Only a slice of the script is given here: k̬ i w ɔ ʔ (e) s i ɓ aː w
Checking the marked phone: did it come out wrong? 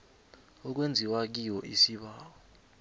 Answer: yes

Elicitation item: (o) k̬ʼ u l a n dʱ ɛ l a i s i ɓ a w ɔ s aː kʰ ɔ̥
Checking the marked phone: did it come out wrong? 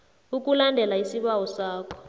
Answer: yes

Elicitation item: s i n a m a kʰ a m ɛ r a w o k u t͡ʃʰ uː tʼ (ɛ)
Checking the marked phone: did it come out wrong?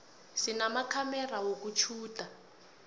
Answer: yes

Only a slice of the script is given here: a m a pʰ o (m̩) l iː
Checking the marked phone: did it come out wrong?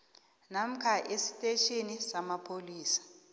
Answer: yes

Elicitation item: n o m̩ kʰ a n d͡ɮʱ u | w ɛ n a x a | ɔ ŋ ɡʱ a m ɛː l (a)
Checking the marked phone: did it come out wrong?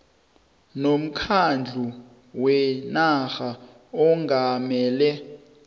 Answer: yes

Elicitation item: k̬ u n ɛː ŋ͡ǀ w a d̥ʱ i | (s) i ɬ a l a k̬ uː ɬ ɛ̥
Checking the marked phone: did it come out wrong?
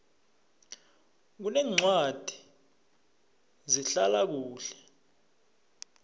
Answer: yes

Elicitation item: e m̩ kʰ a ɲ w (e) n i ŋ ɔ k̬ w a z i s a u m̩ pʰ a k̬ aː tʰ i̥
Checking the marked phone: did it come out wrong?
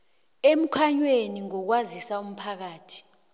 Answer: no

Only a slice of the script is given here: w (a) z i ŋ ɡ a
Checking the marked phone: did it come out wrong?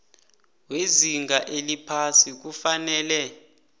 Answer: yes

